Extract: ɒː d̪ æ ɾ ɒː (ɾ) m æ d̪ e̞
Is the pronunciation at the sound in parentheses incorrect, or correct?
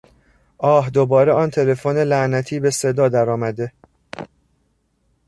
incorrect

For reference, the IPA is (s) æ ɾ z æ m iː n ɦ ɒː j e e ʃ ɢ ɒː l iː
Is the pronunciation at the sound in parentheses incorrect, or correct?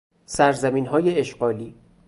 correct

